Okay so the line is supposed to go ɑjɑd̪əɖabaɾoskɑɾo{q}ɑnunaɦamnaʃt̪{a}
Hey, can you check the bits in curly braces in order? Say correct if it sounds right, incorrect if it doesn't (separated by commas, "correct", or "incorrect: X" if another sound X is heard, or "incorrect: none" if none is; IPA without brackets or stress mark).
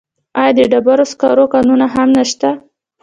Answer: incorrect: k, correct